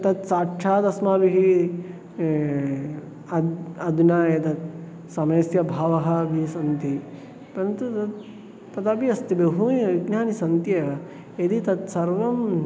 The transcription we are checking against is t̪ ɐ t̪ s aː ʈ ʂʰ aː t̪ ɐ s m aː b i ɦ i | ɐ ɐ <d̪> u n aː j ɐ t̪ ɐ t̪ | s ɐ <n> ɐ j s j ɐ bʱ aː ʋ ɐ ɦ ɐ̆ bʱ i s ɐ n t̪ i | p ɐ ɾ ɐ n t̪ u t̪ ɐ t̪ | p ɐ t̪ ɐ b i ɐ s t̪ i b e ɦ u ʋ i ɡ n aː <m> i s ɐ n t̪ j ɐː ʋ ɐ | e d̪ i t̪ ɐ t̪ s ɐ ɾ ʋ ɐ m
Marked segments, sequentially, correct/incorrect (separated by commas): correct, incorrect, incorrect